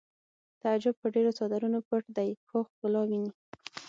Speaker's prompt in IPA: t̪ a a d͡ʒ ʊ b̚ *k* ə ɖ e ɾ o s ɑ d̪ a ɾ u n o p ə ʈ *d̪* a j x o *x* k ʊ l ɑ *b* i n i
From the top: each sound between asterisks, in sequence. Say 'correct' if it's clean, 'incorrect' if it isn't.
incorrect: p, correct, correct, incorrect: w

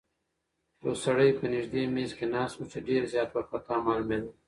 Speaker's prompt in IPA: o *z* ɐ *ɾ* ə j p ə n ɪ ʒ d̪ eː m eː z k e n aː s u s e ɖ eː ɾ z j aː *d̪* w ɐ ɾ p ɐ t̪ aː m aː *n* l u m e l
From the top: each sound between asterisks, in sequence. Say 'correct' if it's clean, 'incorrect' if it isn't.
incorrect: s, incorrect: ɽ, incorrect: t̪, incorrect: none

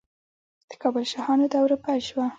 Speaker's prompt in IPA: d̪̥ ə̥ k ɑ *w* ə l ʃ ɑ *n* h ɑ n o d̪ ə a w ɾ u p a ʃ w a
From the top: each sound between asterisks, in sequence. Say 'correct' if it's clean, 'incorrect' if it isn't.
incorrect: b, incorrect: none

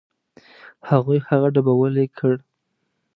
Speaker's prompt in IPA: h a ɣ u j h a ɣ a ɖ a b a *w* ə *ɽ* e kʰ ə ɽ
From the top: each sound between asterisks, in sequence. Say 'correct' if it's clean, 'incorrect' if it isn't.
correct, incorrect: l

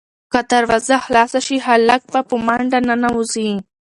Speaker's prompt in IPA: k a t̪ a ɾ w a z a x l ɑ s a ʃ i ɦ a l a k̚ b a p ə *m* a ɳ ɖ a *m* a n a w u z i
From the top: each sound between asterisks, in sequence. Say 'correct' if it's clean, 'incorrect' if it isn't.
correct, incorrect: n

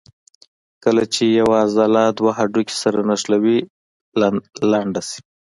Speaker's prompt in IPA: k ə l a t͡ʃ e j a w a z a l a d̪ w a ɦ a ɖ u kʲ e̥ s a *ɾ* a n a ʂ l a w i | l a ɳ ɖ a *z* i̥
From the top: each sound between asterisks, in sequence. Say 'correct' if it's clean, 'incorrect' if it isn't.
correct, incorrect: s

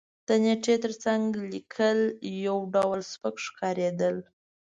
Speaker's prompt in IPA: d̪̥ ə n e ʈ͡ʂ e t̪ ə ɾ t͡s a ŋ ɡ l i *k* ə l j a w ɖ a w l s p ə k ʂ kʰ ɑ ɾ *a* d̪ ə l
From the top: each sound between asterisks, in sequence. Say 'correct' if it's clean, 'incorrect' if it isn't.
incorrect: kʰ, incorrect: e

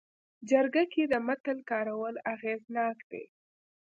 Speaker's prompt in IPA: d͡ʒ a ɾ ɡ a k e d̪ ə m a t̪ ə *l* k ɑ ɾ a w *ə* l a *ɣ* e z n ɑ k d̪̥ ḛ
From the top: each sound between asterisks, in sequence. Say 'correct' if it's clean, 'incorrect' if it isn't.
correct, correct, correct

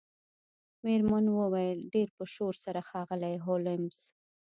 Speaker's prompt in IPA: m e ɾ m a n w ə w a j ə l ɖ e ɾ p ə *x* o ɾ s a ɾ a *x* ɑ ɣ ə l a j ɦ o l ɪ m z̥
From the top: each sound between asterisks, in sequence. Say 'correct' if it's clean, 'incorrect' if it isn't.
incorrect: ʃ, correct

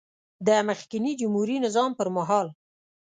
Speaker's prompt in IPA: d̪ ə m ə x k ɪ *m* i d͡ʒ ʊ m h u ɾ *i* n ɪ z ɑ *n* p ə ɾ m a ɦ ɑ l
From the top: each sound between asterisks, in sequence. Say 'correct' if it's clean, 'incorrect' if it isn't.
incorrect: n, correct, incorrect: m

